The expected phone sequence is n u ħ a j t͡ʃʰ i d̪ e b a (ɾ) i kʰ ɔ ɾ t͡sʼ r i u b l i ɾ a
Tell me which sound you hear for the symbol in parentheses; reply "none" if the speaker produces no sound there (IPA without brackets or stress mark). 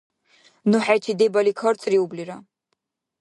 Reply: l